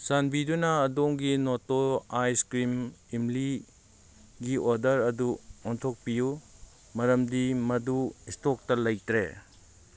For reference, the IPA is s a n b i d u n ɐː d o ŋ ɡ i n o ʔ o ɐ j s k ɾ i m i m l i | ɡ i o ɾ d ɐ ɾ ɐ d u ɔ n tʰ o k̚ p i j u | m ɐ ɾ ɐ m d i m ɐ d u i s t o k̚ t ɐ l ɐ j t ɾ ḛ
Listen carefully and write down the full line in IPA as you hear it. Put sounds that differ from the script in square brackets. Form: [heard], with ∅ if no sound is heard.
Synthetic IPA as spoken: s a n b i d u n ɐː d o ŋ ɡ i n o [t] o [a] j s k ɾ i m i m l i | ɡ i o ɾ d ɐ ɾ ɐ d u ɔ n tʰ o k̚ p i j u | m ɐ ɾ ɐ m d i m ɐ d u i s t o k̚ t ɐ l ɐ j t ɾ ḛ

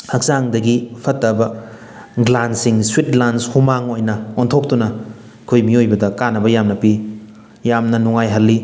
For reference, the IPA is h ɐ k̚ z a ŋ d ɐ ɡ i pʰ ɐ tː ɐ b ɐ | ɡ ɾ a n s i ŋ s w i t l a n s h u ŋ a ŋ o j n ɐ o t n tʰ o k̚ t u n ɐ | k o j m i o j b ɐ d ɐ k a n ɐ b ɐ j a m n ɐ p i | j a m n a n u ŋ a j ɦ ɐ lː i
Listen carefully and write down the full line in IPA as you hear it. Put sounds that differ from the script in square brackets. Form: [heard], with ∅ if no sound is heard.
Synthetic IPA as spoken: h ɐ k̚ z a ŋ d ɐ ɡ i pʰ ɐ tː ɐ b ɐ | ɡ [l] a n s i ŋ s w i t l a n s h u [m] a ŋ o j n ɐ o [∅] n tʰ o k̚ t u n ɐ | [kʰ] o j m i o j b ɐ d ɐ k a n ɐ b ɐ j a m n ɐ p i | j a m n [ɐ] n u ŋ a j ɦ ɐ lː i

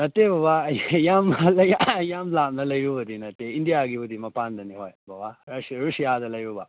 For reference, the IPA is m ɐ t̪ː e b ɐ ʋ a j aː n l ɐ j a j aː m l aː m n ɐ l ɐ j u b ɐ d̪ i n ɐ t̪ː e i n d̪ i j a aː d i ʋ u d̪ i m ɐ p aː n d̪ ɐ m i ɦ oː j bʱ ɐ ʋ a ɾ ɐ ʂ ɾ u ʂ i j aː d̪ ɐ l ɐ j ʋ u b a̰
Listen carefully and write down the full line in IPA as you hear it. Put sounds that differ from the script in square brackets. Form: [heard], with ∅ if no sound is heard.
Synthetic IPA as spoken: [n] ɐ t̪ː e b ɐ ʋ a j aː [m] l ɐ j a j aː m l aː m n ɐ l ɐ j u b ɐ d̪ i n ɐ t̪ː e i n d̪ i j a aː [ɡ] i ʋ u d̪ i m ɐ p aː n d̪ ɐ [n] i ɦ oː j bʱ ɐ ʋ a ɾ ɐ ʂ ɾ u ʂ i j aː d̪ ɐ l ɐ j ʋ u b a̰

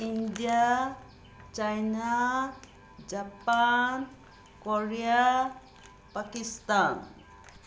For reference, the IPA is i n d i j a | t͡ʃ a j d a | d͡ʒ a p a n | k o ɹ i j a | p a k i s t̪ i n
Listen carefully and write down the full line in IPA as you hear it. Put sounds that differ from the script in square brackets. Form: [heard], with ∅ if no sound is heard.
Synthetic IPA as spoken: i n d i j a | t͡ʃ a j [n] a | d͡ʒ a p a n | k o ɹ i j a | p a k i s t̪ [a] n

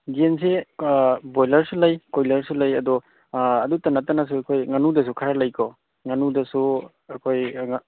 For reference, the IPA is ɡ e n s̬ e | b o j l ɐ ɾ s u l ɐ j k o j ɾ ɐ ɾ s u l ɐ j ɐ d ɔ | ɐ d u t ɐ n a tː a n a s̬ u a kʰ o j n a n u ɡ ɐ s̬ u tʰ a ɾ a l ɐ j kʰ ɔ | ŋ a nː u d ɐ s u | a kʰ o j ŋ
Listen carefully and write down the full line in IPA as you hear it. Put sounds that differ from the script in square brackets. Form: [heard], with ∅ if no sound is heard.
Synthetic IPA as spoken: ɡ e n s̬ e | b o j l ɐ ɾ s u l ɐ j k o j [l] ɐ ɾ s u l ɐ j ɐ d ɔ | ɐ d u t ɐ n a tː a n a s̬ u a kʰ o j [ŋ] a n u [d] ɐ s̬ u [kʰ] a ɾ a l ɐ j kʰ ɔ | ŋ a [n] u d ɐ s u | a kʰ o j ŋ

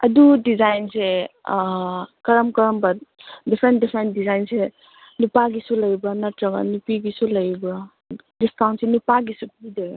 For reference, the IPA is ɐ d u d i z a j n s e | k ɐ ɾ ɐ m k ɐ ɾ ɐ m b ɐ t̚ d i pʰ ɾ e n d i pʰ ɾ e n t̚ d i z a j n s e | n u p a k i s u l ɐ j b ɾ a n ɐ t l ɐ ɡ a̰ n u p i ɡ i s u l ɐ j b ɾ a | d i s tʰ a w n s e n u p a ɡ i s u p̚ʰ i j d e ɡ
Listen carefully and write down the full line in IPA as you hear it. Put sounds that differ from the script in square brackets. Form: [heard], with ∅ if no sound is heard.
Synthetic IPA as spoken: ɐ d u d i z a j n s e | k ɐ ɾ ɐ m k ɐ ɾ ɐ m b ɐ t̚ d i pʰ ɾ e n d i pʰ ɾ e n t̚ d i z a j n s e | n u p a [ɡ] i s u l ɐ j b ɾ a n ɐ t [ɾ] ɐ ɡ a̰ n u p i ɡ i s u l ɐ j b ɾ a | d i s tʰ a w n s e n u p a ɡ i s u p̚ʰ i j d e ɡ

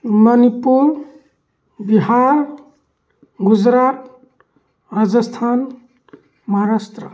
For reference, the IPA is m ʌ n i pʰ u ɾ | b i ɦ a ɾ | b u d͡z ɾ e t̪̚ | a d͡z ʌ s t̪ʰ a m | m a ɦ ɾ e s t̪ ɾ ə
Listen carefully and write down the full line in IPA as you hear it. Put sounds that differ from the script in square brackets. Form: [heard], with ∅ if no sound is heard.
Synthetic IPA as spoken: m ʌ n i [p] u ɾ | b i ɦ a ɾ | [ɡ] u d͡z ɾ [a] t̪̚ | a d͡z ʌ s t̪ʰ a [n] | m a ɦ ɾ [a] s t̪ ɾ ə

